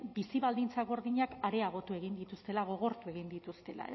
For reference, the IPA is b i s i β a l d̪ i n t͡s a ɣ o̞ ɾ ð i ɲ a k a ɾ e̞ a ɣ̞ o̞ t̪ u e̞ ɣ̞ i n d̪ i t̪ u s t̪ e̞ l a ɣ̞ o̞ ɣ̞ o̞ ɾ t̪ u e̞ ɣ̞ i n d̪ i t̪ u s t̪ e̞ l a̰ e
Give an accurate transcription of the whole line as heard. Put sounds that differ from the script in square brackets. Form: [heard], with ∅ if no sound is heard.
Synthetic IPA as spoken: b i s i β a l d̪ i n t͡s a ɣ o̞ ɾ ð i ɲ a k a ɾ e̞ a ɣ̞ o̞ t̪ u e̞ ɣ̞ i n d̪ i t̪ u s t̪ e̞ l a ɣ̞ o̞ ɣ̞ o̞ ɾ t̪ u e̞ ɣ̞ i n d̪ i t̪ u s t̪ e̞ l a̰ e